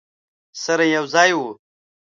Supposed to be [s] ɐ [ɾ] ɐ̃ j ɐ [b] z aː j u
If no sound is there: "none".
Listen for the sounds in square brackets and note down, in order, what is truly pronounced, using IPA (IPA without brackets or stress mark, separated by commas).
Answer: s, ɾ, w